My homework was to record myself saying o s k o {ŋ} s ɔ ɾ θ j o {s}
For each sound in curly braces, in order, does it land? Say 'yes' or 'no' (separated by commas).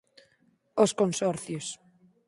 no, yes